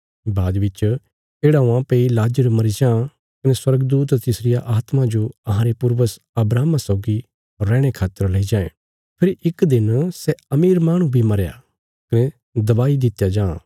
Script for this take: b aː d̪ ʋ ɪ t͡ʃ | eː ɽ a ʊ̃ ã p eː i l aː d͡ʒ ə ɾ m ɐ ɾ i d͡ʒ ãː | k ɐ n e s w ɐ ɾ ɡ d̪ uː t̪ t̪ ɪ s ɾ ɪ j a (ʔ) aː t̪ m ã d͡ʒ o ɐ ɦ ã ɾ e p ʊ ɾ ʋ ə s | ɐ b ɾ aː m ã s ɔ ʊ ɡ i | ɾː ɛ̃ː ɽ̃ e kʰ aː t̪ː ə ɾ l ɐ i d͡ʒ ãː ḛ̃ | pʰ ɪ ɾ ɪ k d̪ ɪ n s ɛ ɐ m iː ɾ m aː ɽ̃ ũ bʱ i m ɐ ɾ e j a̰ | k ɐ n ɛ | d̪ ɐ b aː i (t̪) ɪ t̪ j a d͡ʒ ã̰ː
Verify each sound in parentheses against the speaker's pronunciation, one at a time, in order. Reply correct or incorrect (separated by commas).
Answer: correct, incorrect